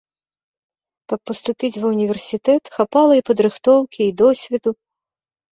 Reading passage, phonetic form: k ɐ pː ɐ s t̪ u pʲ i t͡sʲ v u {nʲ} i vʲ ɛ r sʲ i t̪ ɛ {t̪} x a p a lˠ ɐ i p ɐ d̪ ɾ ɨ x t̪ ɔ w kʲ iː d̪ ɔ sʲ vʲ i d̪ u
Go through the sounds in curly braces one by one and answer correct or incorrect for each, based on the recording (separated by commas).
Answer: correct, correct